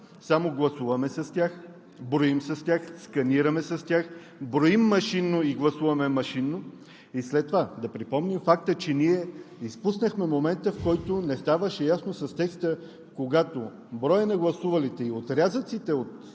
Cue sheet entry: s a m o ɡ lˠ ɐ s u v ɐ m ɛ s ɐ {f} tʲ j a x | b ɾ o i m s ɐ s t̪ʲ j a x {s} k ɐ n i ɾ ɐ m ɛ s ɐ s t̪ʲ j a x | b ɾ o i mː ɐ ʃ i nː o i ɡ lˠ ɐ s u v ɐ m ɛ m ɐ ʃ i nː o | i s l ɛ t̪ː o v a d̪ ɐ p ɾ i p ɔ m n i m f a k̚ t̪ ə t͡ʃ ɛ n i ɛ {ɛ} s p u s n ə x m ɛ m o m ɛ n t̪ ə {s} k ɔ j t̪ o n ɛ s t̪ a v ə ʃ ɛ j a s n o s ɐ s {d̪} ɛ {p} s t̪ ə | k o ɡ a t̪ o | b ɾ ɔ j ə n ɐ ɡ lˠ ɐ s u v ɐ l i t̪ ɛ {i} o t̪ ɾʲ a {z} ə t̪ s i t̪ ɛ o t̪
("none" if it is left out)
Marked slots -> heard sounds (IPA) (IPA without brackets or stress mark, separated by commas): s, s, i, f, t̪, k, i, z